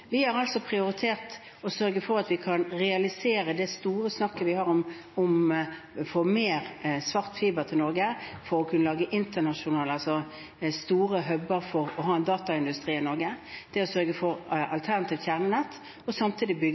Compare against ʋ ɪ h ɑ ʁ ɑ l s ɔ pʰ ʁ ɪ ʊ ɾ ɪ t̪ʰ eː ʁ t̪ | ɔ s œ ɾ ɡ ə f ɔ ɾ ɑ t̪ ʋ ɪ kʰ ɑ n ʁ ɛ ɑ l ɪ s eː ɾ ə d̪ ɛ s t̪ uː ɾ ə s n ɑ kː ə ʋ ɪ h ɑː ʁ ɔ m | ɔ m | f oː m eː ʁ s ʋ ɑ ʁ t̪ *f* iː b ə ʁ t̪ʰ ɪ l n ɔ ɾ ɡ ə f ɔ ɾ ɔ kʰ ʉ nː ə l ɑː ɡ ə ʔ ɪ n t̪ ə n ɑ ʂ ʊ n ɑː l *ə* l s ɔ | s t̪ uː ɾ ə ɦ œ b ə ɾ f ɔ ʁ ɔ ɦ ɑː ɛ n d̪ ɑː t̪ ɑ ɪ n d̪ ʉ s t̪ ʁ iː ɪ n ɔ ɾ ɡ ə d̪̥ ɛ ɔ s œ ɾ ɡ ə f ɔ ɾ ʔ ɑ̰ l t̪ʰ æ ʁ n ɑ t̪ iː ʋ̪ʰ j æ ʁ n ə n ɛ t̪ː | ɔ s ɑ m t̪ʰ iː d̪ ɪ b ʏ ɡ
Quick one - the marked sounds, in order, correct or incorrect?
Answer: correct, incorrect

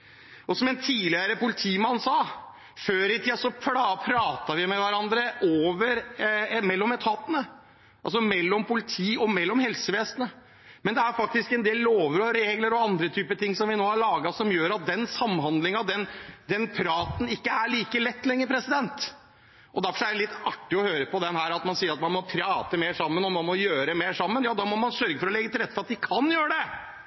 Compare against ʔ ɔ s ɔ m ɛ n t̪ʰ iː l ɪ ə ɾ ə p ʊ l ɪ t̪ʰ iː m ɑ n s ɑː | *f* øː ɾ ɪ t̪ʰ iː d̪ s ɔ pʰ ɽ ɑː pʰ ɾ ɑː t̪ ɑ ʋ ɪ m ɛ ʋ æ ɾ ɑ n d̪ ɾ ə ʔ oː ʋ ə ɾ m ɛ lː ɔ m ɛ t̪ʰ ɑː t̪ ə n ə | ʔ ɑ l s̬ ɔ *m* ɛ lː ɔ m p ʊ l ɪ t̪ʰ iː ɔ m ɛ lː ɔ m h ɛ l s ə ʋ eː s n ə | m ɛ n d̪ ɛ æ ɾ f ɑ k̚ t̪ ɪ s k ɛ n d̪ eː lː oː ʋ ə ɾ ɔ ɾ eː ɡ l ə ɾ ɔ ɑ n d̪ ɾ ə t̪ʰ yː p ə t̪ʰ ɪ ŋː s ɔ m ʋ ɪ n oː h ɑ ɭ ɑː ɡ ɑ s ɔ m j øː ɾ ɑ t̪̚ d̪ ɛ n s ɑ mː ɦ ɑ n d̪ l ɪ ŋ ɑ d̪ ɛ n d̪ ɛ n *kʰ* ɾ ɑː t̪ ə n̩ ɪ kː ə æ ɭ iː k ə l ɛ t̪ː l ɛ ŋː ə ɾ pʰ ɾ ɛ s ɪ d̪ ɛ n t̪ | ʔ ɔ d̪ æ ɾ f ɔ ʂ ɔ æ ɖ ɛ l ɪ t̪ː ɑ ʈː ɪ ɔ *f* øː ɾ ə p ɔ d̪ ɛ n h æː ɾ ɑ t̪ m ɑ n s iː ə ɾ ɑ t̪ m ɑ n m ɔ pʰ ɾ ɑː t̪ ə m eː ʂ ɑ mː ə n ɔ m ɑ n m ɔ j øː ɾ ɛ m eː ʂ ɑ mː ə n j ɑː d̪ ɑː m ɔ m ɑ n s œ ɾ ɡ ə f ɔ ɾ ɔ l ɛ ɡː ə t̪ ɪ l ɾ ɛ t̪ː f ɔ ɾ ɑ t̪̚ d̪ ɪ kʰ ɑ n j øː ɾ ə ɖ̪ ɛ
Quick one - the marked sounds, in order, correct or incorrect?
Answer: correct, correct, incorrect, incorrect

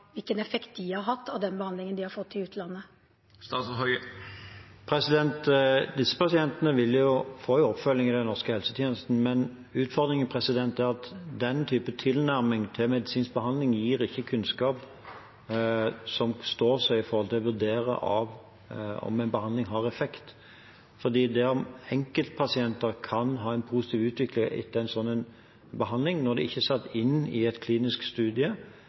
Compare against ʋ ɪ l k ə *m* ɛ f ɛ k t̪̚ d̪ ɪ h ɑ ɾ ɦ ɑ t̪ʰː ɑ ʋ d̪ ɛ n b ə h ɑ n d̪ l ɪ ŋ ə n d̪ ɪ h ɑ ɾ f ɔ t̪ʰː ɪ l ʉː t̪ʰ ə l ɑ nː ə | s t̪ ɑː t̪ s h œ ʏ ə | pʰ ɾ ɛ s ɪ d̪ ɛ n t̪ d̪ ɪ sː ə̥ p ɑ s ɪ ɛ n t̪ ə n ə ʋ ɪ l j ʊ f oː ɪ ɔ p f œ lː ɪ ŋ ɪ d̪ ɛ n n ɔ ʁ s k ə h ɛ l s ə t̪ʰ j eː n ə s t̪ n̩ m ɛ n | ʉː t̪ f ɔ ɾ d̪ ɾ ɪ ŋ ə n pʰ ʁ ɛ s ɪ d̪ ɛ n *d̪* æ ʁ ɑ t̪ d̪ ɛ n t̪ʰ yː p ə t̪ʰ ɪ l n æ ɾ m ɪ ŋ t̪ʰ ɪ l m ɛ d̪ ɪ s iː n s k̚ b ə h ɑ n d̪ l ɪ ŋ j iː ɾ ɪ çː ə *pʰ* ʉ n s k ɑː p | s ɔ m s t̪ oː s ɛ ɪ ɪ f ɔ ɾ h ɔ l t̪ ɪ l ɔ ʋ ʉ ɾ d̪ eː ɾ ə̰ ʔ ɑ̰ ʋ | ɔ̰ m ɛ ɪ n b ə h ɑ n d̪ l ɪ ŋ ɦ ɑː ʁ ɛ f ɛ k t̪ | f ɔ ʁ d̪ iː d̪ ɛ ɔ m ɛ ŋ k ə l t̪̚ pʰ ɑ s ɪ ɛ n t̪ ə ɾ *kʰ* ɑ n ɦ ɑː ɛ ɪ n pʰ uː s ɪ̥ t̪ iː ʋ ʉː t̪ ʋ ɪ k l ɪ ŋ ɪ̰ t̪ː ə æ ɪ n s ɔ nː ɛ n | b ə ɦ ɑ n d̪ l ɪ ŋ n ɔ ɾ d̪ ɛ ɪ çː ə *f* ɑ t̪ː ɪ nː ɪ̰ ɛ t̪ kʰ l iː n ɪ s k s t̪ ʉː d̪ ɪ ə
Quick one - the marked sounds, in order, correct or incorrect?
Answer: incorrect, incorrect, incorrect, correct, incorrect

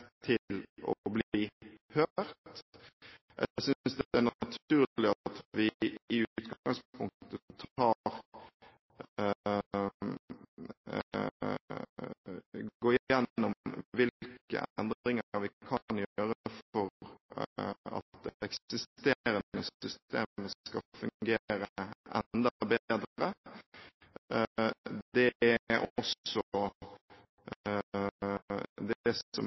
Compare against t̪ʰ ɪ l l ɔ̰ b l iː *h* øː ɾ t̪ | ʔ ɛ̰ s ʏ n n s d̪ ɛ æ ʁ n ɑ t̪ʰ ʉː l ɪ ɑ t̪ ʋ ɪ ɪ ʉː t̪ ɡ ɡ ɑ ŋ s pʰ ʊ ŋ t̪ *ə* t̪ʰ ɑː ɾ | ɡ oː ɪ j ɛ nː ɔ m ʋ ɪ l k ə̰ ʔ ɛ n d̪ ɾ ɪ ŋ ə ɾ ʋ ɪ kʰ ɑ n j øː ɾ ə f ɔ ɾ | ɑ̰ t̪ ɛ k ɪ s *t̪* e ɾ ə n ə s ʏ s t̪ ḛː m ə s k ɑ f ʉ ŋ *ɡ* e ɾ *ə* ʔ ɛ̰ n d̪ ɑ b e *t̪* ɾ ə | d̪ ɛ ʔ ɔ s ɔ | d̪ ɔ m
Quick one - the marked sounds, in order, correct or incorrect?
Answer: correct, correct, correct, correct, correct, incorrect

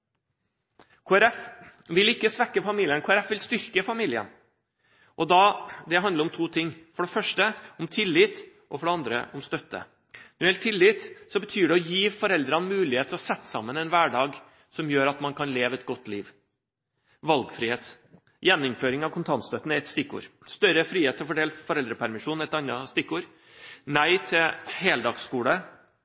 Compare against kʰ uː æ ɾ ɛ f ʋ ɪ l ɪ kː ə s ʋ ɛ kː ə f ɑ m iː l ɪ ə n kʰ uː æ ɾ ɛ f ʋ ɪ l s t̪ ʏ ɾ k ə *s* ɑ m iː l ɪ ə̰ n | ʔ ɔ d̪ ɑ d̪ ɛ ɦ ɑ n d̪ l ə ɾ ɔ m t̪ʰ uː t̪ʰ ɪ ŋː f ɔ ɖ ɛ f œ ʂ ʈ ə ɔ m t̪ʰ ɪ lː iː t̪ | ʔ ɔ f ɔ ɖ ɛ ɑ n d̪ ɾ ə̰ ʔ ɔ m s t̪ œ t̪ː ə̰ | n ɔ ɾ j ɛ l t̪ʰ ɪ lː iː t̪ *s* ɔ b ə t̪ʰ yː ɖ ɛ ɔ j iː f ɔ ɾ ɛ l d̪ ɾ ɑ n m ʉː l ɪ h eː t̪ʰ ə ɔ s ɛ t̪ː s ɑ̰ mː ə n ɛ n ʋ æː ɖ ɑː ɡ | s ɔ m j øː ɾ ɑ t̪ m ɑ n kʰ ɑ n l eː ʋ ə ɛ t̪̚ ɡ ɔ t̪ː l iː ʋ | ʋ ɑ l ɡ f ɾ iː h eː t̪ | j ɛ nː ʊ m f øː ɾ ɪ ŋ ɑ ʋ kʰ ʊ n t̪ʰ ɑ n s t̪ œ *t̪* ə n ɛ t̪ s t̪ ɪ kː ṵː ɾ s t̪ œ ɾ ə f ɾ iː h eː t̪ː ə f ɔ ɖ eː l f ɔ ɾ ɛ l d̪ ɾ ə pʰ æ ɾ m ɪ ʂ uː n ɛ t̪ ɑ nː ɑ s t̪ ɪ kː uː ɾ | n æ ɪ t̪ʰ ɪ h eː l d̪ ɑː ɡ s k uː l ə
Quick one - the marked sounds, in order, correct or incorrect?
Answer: incorrect, correct, correct

